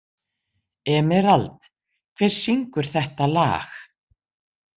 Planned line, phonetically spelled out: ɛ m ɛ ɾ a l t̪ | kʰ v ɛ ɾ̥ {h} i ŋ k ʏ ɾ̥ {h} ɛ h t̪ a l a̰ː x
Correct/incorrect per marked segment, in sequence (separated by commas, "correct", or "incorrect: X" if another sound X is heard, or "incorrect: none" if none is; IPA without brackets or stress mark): incorrect: s, incorrect: θ